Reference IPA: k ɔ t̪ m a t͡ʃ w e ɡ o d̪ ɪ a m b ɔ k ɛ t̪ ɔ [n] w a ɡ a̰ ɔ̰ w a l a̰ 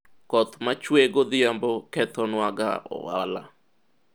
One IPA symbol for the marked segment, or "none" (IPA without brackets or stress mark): n